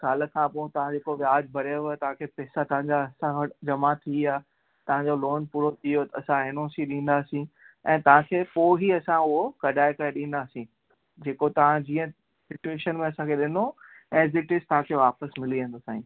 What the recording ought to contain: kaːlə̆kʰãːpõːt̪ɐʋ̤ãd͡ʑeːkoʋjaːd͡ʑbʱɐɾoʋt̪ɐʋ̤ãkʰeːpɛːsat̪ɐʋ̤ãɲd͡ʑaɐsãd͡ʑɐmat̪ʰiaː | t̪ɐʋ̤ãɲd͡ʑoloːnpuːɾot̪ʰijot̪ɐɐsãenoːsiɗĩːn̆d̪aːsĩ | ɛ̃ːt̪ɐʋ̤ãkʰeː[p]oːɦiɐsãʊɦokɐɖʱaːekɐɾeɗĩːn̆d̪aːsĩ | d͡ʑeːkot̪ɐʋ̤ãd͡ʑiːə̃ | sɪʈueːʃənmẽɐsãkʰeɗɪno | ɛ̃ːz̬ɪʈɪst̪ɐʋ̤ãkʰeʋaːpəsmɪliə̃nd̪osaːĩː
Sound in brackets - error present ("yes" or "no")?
no